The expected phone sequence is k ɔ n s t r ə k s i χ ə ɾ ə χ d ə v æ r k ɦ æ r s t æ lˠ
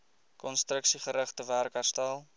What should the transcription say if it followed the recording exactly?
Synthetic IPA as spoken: k ɔ n s t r ə k s i χ ə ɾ ə χ t ə v æ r k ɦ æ r s t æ lˠ